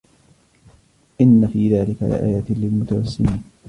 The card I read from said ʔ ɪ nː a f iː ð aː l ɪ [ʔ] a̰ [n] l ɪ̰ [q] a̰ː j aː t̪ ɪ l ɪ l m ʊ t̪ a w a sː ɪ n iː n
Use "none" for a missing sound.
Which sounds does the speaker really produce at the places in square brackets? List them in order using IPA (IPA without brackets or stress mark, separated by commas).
k, none, ʔ